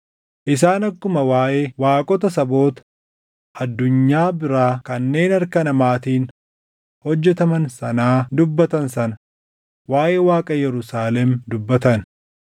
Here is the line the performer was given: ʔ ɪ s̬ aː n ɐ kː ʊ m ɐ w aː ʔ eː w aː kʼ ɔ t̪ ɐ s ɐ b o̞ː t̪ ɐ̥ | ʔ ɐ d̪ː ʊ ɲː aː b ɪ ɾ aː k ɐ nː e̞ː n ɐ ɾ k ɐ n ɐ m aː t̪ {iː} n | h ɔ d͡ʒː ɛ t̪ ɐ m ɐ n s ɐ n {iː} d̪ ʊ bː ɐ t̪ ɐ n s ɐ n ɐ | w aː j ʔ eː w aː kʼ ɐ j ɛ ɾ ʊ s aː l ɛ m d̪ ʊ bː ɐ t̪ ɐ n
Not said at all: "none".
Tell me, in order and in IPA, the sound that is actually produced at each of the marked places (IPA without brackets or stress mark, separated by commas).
iː, aː